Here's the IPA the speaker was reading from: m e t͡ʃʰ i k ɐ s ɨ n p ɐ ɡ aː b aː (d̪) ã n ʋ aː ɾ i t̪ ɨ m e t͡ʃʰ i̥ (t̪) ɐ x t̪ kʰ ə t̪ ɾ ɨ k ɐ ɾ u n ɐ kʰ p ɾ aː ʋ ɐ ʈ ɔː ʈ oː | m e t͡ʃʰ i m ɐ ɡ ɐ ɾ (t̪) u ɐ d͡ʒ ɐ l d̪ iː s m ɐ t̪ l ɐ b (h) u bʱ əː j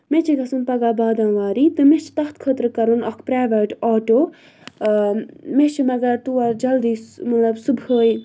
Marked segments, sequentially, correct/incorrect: correct, correct, correct, incorrect

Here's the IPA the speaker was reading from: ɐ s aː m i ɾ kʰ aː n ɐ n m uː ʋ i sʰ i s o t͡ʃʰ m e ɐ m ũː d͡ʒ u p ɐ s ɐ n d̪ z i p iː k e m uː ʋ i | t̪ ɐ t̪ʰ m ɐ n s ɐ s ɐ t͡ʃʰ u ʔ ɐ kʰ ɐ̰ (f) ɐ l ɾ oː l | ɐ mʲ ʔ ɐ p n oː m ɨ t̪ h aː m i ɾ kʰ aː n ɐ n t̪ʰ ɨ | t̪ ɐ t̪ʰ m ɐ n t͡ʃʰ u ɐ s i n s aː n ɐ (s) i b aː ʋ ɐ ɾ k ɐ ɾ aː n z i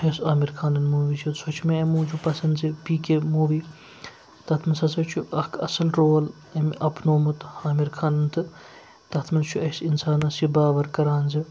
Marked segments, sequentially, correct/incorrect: incorrect, correct

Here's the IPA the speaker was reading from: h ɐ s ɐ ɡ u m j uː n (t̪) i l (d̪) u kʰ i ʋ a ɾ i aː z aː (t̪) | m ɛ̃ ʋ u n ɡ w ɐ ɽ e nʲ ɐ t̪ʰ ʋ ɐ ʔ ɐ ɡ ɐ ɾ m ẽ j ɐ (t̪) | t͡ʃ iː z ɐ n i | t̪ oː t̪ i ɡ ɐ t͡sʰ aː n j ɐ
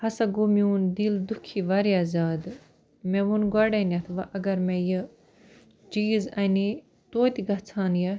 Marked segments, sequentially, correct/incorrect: incorrect, correct, incorrect, incorrect

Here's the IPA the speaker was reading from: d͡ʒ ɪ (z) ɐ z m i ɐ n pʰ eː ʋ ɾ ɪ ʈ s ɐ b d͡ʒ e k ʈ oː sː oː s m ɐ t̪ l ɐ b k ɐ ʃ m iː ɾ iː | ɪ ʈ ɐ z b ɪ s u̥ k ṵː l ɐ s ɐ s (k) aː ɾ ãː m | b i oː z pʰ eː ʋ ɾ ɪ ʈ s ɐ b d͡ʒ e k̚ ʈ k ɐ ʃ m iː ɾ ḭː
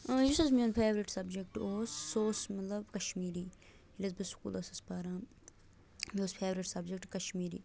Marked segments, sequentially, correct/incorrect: incorrect, incorrect

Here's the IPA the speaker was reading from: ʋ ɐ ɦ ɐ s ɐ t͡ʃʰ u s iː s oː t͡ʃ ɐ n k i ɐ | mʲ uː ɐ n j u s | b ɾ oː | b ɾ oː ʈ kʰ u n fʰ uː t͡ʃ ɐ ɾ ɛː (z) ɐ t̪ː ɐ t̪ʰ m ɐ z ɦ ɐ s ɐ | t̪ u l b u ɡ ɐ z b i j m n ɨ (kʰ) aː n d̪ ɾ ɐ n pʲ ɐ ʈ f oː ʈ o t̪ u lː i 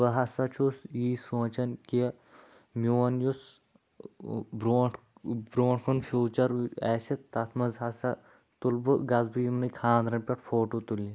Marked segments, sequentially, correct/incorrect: incorrect, correct

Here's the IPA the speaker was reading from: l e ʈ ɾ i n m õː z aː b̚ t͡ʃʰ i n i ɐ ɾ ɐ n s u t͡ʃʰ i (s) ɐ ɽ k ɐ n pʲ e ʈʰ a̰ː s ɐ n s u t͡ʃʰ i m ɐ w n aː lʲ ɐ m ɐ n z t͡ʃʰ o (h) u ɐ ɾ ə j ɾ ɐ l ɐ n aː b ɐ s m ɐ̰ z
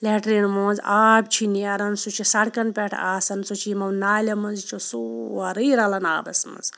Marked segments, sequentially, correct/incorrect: correct, incorrect

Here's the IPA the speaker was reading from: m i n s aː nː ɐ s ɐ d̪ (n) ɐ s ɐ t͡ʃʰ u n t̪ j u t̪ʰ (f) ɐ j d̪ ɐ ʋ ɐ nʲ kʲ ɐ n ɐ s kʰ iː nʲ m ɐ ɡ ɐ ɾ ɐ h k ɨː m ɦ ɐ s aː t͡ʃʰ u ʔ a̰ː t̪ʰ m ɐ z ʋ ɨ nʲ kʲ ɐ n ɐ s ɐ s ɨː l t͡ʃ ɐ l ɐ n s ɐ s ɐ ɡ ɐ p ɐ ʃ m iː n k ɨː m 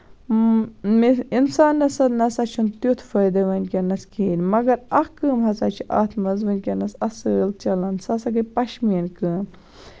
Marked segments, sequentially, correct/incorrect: correct, correct

